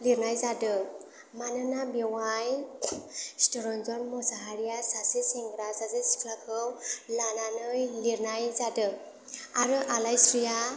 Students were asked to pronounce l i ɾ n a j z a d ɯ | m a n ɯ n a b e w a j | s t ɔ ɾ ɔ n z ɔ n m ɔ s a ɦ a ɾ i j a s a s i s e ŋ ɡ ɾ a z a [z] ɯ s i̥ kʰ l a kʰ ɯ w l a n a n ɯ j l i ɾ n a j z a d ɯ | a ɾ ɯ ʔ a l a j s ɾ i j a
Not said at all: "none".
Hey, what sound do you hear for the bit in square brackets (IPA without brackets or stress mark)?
z